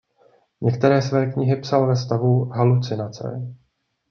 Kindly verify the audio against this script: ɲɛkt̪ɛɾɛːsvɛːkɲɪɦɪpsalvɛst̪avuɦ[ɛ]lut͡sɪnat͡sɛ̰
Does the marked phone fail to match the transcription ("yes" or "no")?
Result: yes